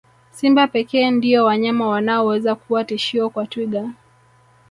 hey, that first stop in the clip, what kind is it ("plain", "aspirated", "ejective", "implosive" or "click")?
plain